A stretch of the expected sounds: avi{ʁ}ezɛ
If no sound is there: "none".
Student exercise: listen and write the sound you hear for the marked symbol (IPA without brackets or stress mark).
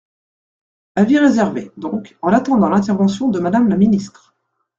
ʁ